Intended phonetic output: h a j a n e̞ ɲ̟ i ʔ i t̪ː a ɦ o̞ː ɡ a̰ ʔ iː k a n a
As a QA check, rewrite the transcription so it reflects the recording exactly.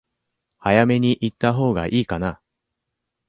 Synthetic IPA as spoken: h a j a m e̞ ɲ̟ i ʔ i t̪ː a ɦ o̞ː ɡ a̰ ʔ iː k a n a